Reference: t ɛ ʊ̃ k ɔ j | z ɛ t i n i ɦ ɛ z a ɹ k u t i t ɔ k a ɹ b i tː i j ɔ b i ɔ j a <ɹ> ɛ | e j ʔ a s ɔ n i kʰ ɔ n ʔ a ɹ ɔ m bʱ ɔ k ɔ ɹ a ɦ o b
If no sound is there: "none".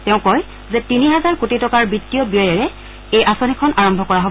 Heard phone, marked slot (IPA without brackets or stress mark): ɹ